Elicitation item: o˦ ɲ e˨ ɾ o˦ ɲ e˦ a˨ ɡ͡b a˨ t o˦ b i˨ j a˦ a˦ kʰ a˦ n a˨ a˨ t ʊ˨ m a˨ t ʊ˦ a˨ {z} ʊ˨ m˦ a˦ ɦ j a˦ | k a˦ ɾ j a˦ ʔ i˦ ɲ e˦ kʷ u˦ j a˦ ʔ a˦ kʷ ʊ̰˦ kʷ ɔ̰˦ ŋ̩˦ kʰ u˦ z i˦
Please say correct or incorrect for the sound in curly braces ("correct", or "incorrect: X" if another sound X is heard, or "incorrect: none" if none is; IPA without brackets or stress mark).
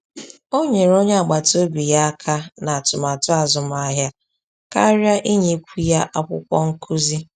correct